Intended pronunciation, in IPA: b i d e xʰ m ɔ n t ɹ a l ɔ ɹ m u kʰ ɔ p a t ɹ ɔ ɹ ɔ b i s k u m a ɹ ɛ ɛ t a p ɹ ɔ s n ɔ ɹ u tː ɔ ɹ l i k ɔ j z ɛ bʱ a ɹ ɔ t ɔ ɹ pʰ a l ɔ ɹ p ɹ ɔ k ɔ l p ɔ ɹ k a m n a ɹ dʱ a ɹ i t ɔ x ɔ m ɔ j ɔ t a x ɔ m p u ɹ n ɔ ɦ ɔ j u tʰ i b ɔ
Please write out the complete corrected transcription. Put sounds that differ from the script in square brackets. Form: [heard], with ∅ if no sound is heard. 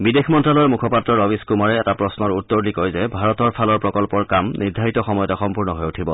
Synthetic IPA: b i d e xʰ m ɔ n t ɹ a l ɔ ɹ m u kʰ ɔ p a t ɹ ɔ ɹ ɔ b i s k u m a ɹ ɛ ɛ t a p ɹ ɔ s n ɔ ɹ u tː ɔ ɹ l i k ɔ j z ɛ bʱ a ɹ ɔ t ɔ ɹ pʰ a l ɔ ɹ p ɹ ɔ k ɔ l p ɔ ɹ k a m n [i] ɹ dʱ a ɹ i t ɔ x ɔ m ɔ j ɔ t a x ɔ m p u ɹ n ɔ ɦ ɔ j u tʰ i b ɔ